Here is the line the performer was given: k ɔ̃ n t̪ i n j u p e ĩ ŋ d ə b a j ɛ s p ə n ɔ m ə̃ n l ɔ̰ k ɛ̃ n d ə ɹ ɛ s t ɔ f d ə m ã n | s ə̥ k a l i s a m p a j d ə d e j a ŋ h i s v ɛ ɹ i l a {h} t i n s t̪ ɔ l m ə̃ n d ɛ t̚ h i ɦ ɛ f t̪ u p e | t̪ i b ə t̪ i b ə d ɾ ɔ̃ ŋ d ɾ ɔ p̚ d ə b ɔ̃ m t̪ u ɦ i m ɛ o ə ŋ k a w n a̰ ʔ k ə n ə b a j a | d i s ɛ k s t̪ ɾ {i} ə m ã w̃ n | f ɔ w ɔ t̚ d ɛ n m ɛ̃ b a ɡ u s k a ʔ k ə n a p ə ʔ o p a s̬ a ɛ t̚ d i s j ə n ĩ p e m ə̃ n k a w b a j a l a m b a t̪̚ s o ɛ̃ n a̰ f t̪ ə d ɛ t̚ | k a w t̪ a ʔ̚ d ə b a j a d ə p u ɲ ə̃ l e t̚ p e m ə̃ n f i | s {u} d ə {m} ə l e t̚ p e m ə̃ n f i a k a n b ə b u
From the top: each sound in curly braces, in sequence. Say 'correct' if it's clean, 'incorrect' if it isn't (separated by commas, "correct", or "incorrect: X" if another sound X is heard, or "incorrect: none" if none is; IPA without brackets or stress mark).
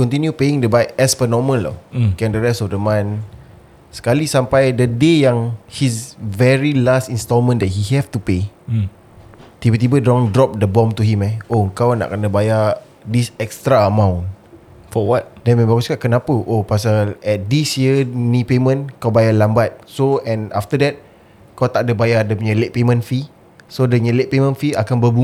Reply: incorrect: s, incorrect: a, incorrect: o, incorrect: ɲ